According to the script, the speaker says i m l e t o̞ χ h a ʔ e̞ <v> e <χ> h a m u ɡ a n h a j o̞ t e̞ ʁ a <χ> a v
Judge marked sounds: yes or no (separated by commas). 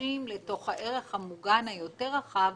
no, yes, yes